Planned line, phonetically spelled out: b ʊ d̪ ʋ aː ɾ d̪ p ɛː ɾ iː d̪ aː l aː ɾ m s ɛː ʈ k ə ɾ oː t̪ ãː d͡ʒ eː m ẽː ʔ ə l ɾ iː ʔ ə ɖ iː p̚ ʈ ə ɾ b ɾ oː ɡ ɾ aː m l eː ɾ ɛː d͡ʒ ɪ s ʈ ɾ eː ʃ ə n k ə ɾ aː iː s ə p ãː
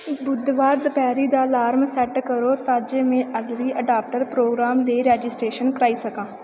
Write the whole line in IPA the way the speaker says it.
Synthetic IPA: b ʊ d̪ ʋ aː ɾ d̪ p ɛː ɾ iː d̪ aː l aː ɾ m s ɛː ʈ k ə ɾ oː t̪ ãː d͡ʒ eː m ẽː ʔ ə l ɾ iː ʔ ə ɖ aː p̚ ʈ ə ɾ p ɾ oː ɡ ɾ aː m l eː ɾ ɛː d͡ʒ ɪ s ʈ ɾ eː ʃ ə n k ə ɾ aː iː s ə k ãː

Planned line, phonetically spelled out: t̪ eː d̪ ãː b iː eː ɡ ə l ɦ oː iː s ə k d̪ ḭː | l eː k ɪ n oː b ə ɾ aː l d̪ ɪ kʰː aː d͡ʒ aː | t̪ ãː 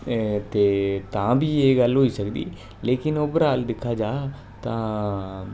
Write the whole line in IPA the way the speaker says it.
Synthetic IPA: t̪ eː t̪ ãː b iː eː ɡ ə l ɦ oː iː s ə k d̪ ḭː | l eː k ɪ n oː b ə ɾ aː l d̪ ɪ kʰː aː d͡ʒ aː | t̪ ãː

